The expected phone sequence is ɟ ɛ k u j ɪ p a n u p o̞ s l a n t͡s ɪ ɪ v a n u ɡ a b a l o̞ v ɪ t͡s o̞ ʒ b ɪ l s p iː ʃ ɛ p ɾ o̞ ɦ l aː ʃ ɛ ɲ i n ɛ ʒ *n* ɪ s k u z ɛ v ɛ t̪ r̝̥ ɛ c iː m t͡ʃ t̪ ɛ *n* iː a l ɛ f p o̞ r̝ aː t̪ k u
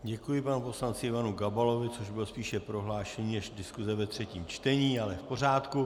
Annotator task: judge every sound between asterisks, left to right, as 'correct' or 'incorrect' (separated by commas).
incorrect, incorrect